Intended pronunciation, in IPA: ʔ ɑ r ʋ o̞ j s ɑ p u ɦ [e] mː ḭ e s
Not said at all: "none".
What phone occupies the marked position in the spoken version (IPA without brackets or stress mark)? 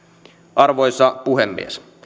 e